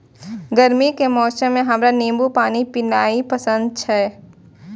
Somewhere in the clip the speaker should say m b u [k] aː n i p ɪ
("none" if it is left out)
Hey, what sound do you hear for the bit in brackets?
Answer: p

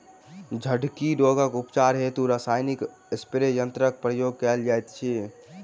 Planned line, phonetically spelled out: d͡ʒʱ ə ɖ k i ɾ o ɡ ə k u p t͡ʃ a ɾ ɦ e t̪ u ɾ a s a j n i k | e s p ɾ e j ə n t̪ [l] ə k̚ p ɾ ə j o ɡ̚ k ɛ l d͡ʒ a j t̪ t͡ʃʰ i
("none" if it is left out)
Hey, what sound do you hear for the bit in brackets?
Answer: ɾ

